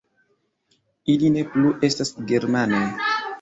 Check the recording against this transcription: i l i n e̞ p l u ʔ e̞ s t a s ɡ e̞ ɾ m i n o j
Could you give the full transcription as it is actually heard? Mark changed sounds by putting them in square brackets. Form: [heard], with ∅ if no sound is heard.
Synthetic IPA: i l i n e̞ p l u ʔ e̞ s t a s ɡ e̞ ɾ m [a] n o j